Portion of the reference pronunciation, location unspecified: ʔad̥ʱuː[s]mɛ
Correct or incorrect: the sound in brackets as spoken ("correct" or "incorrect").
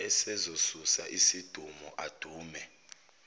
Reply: incorrect